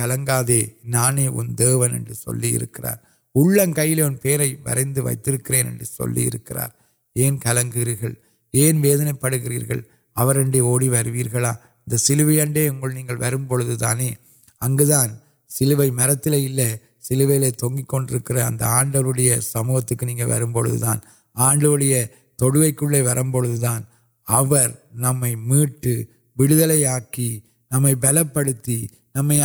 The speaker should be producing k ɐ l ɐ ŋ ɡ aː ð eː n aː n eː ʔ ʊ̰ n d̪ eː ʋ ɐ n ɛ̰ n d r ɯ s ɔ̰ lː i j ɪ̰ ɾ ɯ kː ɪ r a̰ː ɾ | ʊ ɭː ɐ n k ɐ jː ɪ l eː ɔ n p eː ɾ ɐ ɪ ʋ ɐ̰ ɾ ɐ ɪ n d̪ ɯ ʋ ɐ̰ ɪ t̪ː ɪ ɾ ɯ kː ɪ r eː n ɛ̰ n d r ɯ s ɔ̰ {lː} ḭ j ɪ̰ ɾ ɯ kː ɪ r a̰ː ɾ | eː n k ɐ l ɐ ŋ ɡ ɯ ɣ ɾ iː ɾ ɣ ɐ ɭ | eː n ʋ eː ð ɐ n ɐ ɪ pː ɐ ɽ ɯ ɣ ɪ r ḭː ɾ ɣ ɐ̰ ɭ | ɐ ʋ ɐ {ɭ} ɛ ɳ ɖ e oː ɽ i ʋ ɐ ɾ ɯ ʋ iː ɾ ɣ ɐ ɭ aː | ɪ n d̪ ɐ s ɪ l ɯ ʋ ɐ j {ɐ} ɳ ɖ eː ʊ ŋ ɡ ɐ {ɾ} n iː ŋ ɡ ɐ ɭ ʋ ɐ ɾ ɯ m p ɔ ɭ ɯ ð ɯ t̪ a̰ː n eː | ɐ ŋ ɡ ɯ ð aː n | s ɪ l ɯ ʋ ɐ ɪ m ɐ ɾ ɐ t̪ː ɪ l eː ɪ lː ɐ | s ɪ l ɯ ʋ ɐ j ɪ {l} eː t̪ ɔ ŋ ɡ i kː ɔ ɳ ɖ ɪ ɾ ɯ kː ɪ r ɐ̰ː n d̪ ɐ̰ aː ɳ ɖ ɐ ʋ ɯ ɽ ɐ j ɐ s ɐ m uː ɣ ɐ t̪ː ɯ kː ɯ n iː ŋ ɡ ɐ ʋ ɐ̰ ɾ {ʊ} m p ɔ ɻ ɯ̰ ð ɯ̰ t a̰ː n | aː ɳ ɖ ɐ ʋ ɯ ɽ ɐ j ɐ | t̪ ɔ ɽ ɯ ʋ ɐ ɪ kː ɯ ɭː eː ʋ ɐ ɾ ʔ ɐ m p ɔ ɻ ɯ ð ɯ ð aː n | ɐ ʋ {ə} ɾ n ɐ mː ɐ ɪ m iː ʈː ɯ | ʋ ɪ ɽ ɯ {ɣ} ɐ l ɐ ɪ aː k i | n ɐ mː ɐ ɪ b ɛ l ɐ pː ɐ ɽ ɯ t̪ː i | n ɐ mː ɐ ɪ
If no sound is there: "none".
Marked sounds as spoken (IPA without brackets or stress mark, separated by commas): lː, ɾ, ɐ, ɭ, l, ɯ, ɐ, ð